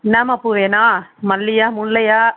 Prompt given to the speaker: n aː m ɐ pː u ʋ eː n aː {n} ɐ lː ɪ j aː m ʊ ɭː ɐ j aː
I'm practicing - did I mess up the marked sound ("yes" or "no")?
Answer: yes